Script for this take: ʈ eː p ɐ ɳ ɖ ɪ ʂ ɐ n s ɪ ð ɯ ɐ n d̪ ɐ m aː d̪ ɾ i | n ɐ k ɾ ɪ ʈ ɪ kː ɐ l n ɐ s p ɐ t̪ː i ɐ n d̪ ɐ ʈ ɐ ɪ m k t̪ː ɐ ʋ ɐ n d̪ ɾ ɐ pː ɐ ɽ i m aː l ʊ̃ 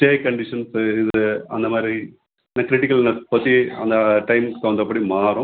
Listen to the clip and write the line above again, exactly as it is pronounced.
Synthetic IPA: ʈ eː k ɐ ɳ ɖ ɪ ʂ ɐ n s ɪ ð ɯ ɐ n d̪ ɐ m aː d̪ ɾ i | n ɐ k ɾ ɪ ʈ ɪ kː ɐ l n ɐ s p ɐ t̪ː i ɐ n d̪ ɐ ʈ ɐ ɪ m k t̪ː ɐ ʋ ɐ n d̪ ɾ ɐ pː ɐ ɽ i m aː ɾ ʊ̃

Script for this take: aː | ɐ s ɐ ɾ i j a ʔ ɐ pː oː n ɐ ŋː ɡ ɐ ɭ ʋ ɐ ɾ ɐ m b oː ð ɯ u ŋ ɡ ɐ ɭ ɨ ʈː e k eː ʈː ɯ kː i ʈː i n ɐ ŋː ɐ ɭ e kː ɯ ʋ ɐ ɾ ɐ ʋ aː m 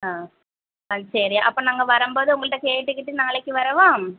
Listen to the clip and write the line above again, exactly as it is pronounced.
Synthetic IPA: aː | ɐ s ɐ ɾ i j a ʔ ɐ pː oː n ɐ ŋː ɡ ɐ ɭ ʋ ɐ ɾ ɐ m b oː ð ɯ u ŋ ɡ ɐ ɭ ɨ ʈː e k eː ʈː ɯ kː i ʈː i n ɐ ŋː ɐ ɭ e kː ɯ ʋ ɐ ɾ ɐ ʋ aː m

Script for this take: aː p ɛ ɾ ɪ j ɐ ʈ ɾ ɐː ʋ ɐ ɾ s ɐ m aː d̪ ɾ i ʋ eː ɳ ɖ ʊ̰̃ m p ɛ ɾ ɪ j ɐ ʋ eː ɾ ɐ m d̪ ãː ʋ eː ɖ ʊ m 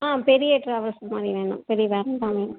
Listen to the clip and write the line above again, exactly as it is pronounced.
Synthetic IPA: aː p ɛ ɾ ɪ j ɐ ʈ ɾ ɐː ʋ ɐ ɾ s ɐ m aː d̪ ɾ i ʋ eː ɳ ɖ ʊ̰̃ m p ɛ ɾ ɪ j ɐ ʋ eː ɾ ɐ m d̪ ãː ʋ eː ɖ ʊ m

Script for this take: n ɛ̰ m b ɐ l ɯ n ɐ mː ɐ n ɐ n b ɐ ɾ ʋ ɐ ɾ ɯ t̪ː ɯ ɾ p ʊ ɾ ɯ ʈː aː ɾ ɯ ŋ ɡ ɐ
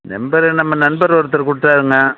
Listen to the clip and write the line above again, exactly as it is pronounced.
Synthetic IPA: n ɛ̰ m b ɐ ɾ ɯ n ɐ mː ɐ n ɐ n b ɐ ɾ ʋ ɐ ɾ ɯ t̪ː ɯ ɾ k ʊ ɽ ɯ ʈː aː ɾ ɯ ŋ ɡ ɐ

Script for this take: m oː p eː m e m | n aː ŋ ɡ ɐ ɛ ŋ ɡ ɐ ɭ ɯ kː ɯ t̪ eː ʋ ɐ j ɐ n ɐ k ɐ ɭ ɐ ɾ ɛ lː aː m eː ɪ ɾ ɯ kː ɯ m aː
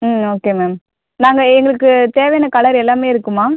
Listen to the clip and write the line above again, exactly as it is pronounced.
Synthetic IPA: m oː k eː m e m | n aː ŋ ɡ ɐ ɛ ŋ ɡ ɐ ɭ ɯ kː ɯ t̪ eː ʋ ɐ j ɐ n ɐ k ɐ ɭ ɐ ɾ ɛ lː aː m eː ɪ ɾ ɯ kː ɯ m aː

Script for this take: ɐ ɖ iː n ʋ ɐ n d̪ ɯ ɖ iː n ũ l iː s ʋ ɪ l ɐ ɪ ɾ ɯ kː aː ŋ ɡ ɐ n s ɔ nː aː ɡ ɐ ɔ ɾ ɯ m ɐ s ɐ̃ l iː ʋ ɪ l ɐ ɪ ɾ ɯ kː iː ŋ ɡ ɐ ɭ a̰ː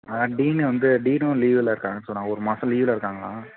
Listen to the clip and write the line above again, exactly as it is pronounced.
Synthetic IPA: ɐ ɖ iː n ʋ ɐ n d̪ ɯ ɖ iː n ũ l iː ʋ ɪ l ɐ ɪ ɾ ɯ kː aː ŋ ɡ ɐ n s ɔ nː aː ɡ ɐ ɔ ɾ ɯ m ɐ s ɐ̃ l iː ʋ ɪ l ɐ ɪ ɾ ɯ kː aː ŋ ɡ ɐ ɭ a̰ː

